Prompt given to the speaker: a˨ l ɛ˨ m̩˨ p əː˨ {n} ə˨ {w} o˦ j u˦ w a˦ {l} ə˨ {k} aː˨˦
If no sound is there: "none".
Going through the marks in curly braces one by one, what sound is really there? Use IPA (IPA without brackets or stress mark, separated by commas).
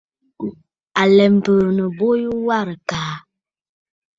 n, b, ɾ, k